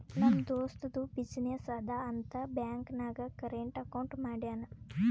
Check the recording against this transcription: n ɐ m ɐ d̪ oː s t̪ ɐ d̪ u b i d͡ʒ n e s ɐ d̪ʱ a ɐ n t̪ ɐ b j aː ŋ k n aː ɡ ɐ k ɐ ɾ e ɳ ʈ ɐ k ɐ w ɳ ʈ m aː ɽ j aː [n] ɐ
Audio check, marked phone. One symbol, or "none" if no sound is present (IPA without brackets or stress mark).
n